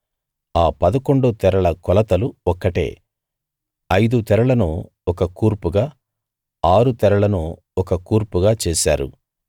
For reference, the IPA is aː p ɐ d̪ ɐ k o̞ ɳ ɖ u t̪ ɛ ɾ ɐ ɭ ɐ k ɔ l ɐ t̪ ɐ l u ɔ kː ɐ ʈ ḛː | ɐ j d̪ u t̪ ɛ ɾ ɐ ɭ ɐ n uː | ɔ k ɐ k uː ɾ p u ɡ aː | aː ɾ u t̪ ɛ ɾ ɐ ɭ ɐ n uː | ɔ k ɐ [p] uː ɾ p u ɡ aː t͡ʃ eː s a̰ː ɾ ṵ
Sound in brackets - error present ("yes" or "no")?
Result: yes